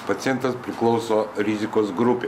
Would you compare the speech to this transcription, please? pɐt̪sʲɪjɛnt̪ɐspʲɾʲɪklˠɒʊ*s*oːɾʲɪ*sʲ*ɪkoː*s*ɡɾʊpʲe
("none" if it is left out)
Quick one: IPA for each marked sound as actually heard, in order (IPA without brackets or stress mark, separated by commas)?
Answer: s, zʲ, s